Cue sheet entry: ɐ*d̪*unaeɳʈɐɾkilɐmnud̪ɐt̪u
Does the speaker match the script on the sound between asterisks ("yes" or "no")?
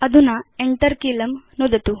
yes